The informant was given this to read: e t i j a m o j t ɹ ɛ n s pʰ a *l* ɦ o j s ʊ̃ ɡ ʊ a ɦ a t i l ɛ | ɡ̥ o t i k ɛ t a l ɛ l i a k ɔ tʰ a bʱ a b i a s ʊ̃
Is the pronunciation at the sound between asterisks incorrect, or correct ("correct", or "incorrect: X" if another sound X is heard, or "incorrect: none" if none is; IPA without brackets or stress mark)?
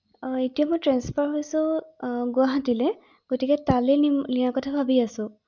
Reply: incorrect: ɹ